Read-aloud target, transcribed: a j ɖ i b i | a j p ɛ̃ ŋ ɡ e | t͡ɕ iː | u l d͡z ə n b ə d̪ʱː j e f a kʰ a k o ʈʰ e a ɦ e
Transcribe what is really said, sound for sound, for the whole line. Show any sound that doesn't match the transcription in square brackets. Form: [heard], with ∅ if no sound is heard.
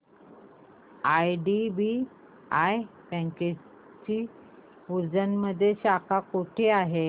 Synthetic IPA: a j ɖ i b i | a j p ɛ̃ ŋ [k] e | t͡ɕ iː | u [ɾ] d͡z ə n [m] ə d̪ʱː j e [ɕ] a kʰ a k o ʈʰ e a ɦ e